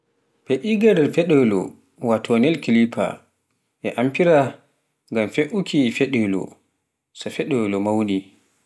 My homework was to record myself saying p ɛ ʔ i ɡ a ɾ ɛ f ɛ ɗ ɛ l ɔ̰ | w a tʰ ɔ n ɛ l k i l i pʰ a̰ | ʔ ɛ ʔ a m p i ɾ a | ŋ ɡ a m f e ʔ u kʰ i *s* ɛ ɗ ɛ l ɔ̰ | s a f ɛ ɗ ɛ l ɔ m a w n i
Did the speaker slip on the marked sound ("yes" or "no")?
yes